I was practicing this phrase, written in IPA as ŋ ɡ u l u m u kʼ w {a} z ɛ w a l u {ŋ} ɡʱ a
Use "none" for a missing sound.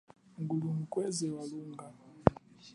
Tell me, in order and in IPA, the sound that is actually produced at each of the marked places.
ɛ, ŋ

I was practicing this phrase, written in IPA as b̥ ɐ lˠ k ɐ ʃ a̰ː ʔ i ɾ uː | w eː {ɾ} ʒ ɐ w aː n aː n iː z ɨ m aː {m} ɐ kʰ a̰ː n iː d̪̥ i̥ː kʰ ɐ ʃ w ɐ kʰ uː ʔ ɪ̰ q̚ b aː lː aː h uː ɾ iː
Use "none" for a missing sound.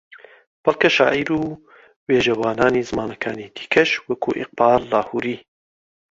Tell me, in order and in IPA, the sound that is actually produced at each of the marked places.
none, n

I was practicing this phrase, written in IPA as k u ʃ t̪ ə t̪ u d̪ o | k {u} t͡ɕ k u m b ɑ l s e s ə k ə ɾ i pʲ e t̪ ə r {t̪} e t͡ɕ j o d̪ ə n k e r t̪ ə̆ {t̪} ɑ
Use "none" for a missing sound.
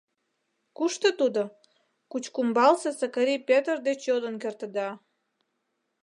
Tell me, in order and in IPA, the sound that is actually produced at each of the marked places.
u, d̪, d̪

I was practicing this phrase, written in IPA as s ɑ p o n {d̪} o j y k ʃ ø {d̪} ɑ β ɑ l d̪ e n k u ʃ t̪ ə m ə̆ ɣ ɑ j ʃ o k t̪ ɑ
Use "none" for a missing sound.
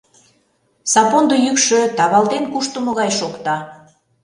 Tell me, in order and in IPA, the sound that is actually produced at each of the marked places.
d̪, t̪

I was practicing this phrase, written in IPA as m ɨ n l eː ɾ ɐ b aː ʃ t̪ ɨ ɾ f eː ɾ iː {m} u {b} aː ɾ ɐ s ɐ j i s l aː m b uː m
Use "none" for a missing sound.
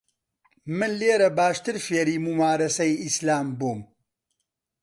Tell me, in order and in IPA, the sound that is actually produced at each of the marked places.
m, m

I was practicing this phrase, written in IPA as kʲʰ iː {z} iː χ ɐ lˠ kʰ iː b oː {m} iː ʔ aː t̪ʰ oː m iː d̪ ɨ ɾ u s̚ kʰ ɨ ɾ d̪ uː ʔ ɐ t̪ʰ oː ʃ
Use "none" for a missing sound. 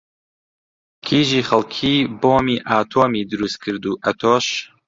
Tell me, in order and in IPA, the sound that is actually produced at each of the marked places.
ʒ, m

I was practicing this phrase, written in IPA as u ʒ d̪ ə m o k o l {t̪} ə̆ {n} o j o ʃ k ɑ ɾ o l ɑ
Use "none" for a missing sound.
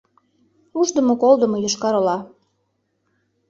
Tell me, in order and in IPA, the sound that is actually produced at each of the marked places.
d̪, m

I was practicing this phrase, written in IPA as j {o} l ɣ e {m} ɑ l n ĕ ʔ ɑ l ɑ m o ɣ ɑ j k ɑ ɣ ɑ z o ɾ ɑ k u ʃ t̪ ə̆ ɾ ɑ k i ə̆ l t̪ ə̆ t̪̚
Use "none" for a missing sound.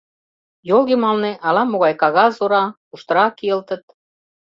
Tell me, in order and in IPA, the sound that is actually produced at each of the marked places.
o, m

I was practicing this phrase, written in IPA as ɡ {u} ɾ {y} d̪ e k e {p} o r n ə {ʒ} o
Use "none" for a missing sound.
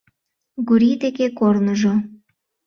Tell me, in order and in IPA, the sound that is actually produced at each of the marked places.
u, i, k, ʒ

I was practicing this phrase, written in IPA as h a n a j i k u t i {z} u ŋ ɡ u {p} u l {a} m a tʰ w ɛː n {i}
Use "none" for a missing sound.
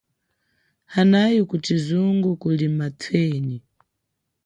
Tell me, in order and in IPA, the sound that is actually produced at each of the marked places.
z, k, i, i

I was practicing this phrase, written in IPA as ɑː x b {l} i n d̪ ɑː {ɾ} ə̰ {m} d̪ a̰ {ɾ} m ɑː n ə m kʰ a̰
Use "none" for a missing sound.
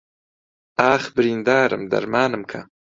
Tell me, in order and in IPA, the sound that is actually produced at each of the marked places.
ɾ, ɾ, m, ɾ

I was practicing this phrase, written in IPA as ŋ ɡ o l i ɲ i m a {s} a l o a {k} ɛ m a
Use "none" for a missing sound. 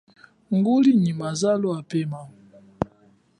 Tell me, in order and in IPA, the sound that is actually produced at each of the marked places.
z, p

